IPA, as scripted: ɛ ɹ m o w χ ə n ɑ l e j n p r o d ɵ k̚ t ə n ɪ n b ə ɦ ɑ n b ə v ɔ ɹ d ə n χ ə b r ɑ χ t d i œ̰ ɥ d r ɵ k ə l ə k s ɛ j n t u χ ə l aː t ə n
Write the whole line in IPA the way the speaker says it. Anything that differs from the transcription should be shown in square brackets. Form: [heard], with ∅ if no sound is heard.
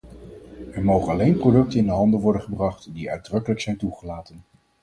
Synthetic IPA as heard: ɛ ɹ m o w χ ə n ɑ l e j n p r o d ɵ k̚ t ə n ɪ n [d] ə ɦ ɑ n [d] ə [ʋ] ɔ ɹ d ə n χ ə b r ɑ χ t d i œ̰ ɥ d r ɵ k ə l ə k s ɛ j n t u χ ə l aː t ə n

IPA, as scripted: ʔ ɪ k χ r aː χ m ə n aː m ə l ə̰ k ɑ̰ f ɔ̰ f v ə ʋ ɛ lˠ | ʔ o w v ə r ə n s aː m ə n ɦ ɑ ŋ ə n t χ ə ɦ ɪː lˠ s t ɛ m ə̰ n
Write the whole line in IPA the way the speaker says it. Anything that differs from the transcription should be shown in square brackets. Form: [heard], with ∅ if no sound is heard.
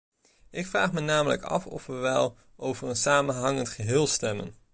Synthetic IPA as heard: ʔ ɪ k [f] r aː χ m ə n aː m ə l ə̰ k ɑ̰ f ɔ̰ f [ʋ] ə ʋ ɛ lˠ | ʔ o w v ə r ə n s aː m ə n ɦ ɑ ŋ ə n t χ ə ɦ ɪː lˠ s t ɛ m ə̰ n

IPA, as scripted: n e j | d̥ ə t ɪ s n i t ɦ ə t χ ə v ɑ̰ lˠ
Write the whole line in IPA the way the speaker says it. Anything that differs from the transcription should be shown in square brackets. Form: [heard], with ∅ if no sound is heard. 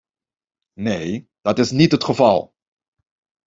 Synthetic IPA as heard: n e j | d̥ [ɑ] t ɪ s n i t ɦ ə t χ ə v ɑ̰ lˠ

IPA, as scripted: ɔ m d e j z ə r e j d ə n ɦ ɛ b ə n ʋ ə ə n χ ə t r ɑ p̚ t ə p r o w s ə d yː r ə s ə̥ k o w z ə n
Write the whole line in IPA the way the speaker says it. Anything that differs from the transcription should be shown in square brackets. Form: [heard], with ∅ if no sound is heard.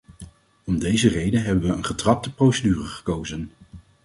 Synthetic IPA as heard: ɔ m d e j z ə r e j d ə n ɦ ɛ b ə n ʋ ə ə n χ ə t r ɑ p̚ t ə p r o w s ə d yː r ə [χ] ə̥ k o w z ə n

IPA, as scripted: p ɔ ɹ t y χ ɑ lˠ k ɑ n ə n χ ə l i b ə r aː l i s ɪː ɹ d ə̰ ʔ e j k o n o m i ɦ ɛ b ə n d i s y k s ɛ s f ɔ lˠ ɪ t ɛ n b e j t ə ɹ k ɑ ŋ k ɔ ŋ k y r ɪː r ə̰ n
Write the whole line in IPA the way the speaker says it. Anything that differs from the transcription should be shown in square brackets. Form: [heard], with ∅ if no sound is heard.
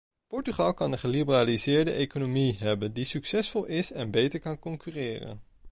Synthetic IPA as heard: p ɔ ɹ t y χ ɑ lˠ k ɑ n ə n χ ə l i b ə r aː l i [z] ɪː ɹ d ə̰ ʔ e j k o n o m i ɦ ɛ b ə n d i s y k s ɛ s f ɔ lˠ ɪ [s] ɛ n b e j t ə ɹ k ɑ [n] k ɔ ŋ k y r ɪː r ə̰ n

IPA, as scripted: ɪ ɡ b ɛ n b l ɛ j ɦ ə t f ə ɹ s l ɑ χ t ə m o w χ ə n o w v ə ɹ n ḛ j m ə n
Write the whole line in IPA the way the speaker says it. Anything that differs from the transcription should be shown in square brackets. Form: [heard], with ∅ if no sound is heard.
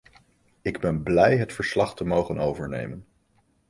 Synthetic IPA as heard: ɪ ɡ b ɛ n b l ɛ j ɦ ə t f ə ɹ s l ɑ χ t ə m o w χ ə n o w v ə ɹ n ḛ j m ə n

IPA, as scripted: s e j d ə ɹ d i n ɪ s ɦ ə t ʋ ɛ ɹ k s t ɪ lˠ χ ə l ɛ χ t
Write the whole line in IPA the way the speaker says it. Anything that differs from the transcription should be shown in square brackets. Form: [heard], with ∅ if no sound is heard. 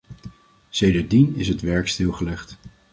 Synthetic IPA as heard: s e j d ə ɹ d i n ɪ s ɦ ə t ʋ ɛ ɹ k s t ɪ lˠ χ ə l ɛ χ t

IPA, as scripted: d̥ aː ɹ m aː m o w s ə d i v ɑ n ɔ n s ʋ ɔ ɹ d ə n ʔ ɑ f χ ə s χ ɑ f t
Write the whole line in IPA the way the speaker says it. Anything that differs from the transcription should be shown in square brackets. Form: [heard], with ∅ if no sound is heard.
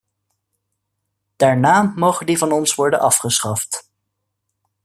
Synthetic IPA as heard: d̥ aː ɹ [n] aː m o w [χ] ə d i v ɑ n ɔ n s ʋ ɔ ɹ d ə n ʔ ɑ f χ ə s χ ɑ f t

